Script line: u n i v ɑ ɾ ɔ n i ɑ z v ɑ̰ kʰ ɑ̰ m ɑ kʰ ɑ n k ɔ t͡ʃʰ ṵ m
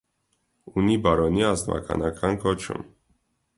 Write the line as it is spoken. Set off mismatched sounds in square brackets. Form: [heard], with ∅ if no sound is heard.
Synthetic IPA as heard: u n i [b] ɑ ɾ ɔ n i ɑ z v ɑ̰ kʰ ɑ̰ [n] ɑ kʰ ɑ n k ɔ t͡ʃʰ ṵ m